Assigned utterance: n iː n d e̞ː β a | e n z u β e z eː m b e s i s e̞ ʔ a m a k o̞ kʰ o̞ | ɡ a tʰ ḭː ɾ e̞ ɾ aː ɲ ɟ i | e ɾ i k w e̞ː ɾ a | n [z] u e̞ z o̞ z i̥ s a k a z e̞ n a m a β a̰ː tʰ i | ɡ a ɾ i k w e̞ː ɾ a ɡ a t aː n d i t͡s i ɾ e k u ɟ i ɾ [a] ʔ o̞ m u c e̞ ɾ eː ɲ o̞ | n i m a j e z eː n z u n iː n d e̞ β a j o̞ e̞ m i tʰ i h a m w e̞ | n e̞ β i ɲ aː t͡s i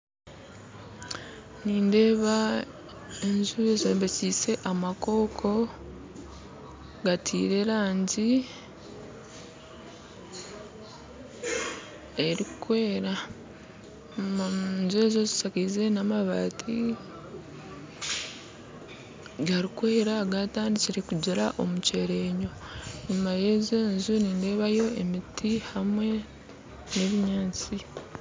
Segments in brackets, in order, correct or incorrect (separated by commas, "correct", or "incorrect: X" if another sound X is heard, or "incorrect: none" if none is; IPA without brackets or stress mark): correct, correct